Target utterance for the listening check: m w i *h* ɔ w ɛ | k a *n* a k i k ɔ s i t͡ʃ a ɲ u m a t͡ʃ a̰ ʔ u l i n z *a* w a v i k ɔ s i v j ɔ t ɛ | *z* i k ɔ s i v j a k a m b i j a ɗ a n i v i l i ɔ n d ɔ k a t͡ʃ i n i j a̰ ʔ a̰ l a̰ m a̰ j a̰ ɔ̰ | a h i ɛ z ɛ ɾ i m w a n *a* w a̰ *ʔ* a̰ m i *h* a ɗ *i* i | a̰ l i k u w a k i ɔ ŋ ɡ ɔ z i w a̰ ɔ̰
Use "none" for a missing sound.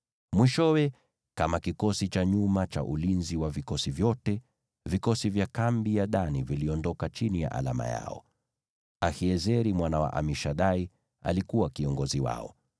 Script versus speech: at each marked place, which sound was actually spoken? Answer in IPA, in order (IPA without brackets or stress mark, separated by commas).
ʃ, m, i, v, a, ʔ, ʃ, a